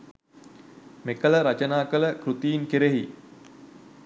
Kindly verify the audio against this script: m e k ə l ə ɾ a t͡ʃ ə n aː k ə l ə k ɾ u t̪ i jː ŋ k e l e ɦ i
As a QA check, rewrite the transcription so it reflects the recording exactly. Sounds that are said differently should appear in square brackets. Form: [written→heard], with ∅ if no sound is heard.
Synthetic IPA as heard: m e k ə l ə ɾ a t͡ʃ ə n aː k ə l ə k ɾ u t̪ i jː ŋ k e [l→ɾ] e ɦ i